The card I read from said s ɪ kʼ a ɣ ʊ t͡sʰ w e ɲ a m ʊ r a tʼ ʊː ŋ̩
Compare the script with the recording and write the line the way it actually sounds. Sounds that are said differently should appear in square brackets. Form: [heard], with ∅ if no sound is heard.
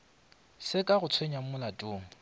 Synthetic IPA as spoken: s ɪ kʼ a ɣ ʊ t͡sʰ w e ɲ a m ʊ [l] a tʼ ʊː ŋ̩